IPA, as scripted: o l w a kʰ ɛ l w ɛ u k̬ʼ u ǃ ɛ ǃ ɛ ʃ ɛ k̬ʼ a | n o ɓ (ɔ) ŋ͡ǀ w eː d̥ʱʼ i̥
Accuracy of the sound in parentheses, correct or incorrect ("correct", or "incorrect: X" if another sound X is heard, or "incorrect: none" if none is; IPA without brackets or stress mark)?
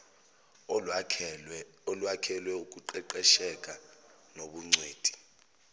incorrect: u